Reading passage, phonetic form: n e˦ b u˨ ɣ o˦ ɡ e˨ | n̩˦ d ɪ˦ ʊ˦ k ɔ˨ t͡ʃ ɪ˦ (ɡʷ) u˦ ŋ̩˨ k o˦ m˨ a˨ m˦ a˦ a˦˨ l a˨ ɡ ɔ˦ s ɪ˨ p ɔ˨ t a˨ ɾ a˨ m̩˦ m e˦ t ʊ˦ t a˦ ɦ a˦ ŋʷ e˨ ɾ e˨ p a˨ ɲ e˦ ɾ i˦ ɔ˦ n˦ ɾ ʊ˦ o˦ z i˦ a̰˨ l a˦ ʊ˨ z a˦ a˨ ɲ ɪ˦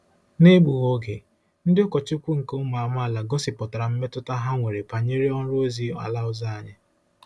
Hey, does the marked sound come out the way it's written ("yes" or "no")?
no